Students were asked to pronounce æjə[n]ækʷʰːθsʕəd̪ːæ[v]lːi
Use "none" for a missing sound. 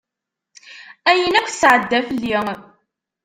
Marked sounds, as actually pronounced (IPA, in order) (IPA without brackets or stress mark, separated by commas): n, f